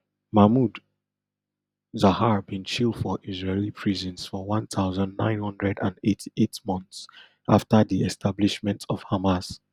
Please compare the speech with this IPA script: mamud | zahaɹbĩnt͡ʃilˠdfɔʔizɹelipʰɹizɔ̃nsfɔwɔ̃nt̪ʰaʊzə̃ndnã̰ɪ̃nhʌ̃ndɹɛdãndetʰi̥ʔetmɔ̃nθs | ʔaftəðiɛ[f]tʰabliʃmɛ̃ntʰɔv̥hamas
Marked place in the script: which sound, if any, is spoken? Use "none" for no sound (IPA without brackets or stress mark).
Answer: s